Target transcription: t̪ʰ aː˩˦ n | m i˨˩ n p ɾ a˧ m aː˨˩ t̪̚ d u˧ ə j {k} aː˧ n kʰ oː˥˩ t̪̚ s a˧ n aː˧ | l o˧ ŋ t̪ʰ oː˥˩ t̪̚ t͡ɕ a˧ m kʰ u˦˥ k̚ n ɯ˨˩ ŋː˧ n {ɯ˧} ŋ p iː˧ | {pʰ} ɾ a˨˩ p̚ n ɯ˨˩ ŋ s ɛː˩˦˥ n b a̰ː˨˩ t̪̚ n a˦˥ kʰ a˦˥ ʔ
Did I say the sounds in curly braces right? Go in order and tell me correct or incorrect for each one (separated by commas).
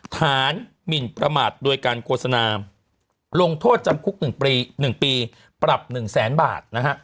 correct, incorrect, incorrect